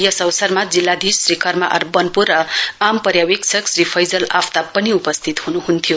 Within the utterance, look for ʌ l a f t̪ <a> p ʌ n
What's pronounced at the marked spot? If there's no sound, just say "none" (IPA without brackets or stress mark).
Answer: a